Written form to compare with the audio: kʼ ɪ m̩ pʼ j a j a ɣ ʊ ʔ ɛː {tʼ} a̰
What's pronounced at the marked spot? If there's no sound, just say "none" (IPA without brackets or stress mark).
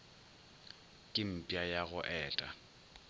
tʼ